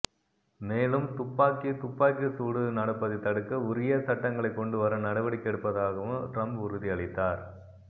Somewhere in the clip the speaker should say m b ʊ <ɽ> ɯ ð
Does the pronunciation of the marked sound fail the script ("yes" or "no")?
yes